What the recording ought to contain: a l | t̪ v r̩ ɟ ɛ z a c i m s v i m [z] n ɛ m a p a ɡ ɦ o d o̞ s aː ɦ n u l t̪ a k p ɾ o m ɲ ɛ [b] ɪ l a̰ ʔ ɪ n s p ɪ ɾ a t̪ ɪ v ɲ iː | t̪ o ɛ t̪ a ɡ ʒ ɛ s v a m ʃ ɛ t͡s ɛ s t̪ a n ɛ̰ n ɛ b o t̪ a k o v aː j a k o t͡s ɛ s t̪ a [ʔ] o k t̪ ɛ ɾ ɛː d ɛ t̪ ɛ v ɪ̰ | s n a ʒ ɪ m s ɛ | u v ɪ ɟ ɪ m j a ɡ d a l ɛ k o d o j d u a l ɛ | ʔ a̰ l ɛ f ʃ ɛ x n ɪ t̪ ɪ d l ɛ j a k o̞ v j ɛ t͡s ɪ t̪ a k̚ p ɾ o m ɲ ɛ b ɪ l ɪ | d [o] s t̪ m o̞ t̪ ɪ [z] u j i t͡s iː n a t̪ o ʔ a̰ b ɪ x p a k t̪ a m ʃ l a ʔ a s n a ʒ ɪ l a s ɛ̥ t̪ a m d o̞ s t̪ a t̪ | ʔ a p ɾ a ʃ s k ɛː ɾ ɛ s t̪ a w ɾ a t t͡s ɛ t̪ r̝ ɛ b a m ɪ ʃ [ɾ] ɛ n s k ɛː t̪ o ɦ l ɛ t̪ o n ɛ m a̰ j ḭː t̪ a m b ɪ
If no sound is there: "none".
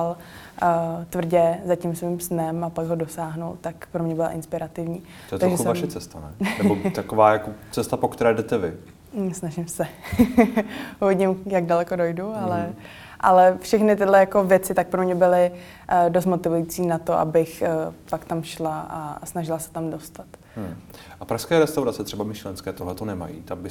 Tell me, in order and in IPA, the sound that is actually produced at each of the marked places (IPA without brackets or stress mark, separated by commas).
s, b, p, o, v, l